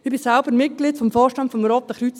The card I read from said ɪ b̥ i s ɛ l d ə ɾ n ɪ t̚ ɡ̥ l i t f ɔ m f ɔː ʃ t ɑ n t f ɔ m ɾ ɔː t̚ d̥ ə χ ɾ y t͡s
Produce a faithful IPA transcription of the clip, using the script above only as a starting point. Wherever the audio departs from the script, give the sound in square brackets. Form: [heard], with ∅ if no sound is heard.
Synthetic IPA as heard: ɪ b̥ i s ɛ l [b] ə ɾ [m] ɪ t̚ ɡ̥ l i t f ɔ m f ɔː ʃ t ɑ n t f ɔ m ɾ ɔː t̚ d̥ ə χ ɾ y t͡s